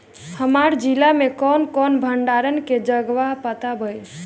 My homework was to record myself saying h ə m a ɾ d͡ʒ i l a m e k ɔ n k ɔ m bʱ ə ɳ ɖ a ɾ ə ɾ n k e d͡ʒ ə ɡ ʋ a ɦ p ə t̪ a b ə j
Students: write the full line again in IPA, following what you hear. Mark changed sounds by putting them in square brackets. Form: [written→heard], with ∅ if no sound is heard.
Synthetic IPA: h ə m a ɾ d͡ʒ i l a m e k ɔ n k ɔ [m→n] bʱ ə ɳ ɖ a ɾ ə [ɾ→∅] n k e d͡ʒ ə ɡ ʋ a ɦ p ə t̪ a b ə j